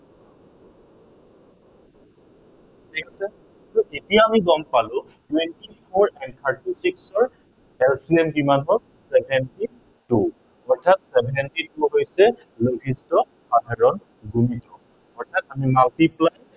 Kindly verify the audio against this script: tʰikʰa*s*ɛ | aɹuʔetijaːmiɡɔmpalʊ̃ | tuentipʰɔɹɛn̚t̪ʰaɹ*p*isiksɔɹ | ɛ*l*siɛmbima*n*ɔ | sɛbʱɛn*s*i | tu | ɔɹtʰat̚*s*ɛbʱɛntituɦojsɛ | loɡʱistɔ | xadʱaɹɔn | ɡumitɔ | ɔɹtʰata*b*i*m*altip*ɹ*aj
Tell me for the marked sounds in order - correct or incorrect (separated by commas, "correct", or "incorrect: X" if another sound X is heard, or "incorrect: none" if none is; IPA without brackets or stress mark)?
correct, incorrect: t, correct, correct, incorrect: t, correct, incorrect: m, correct, incorrect: l